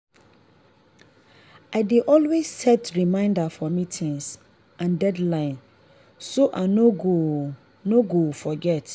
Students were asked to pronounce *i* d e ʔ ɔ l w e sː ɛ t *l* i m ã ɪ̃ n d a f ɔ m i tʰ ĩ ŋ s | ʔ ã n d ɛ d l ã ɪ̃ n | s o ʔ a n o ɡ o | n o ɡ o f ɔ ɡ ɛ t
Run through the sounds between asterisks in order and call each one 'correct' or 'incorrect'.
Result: incorrect: a, incorrect: ɹ

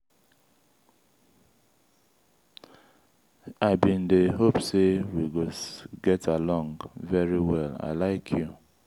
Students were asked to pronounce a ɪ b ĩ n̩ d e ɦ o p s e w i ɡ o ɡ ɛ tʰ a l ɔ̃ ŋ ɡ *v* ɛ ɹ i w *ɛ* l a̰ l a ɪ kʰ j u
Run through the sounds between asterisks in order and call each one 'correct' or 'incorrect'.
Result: correct, correct

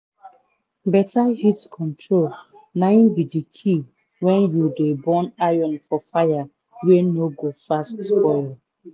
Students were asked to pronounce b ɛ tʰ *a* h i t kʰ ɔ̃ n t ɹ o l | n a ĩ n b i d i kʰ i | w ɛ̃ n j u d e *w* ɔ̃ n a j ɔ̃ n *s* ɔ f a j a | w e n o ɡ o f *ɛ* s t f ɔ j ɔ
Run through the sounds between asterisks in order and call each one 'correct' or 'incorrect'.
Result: correct, incorrect: b, incorrect: f, incorrect: a

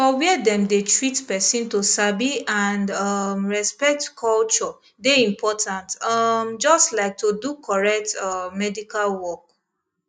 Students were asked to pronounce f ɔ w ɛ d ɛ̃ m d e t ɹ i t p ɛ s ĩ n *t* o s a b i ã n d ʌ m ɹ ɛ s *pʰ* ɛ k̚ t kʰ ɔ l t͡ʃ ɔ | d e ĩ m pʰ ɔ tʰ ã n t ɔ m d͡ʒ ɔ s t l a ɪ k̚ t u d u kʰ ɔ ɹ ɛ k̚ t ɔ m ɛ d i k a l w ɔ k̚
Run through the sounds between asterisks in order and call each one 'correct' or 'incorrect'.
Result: correct, incorrect: p

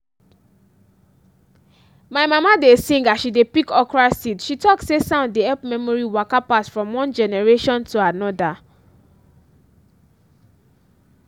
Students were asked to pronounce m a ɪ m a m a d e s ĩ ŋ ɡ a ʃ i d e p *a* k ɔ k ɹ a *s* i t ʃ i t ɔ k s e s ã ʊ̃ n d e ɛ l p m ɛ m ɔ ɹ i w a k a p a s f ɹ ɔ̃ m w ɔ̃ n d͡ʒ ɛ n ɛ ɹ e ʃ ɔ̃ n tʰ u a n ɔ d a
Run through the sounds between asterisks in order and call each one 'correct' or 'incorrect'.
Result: incorrect: i, correct

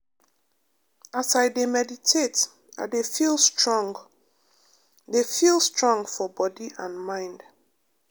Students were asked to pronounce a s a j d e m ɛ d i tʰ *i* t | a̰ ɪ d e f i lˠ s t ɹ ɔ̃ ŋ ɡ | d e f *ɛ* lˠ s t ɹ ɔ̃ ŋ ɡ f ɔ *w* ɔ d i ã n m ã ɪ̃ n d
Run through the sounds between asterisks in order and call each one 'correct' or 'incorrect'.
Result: incorrect: e, incorrect: i, incorrect: b

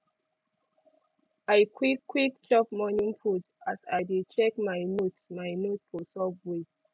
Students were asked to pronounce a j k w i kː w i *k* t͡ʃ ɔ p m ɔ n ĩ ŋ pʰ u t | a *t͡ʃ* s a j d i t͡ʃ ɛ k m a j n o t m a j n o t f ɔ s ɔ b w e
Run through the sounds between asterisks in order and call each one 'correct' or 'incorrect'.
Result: correct, incorrect: none

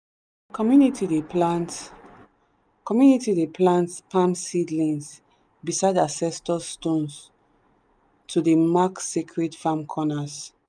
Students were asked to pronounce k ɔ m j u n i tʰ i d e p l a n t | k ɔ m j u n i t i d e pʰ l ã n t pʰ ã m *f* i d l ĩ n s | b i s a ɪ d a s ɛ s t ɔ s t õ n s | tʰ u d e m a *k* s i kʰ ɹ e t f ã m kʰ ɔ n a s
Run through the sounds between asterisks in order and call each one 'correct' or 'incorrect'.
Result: incorrect: s, correct

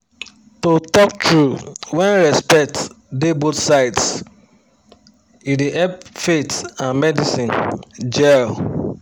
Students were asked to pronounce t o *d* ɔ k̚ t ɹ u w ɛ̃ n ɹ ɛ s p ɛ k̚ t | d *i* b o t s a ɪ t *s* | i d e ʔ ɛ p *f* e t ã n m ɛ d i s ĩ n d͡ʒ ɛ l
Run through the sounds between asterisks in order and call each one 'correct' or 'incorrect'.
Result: incorrect: t, incorrect: e, correct, correct

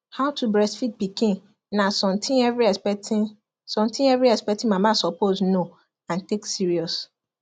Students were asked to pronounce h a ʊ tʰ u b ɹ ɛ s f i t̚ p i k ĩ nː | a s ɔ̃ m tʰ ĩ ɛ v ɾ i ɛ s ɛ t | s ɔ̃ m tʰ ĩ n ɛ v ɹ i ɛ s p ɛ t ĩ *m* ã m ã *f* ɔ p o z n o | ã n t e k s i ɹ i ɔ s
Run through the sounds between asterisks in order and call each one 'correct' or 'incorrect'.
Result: correct, incorrect: s

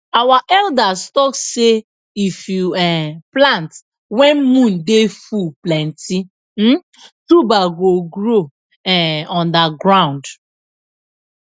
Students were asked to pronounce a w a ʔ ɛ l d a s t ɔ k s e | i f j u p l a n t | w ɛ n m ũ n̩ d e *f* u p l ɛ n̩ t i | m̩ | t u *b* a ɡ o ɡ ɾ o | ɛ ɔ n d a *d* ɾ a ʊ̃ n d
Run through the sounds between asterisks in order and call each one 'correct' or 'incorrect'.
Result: correct, correct, incorrect: ɡ

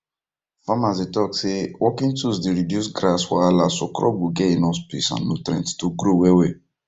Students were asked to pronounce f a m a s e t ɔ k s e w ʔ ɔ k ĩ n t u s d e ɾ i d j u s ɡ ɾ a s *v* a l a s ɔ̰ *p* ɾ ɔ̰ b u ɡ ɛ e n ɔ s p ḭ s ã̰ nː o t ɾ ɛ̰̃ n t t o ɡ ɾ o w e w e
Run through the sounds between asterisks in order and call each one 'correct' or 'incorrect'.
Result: incorrect: w, incorrect: k

